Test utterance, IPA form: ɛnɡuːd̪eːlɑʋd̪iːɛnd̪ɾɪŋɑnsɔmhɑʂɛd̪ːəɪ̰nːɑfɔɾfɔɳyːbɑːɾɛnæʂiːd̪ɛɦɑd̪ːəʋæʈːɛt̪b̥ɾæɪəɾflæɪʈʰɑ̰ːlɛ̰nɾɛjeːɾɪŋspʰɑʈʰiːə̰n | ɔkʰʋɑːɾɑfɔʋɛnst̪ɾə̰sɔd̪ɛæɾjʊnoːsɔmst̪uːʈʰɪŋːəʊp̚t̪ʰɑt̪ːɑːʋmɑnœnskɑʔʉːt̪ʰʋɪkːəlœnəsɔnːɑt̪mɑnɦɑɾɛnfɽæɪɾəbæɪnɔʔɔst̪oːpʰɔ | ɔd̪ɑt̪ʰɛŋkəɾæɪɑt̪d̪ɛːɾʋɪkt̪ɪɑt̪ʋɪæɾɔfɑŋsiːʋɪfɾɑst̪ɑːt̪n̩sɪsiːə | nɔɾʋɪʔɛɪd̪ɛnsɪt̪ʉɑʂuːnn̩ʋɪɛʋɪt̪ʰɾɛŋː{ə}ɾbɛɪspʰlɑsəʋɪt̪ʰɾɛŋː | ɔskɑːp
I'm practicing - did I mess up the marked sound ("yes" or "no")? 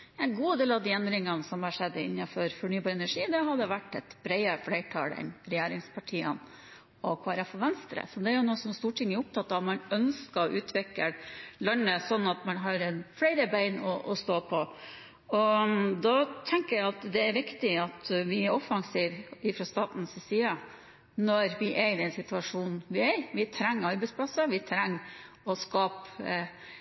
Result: yes